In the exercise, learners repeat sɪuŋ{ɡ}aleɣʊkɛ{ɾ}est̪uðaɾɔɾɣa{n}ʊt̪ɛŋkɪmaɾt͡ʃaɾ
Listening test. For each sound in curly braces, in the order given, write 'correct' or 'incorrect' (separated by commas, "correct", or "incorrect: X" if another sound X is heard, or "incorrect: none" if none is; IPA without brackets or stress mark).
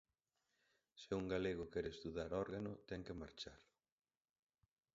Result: correct, correct, correct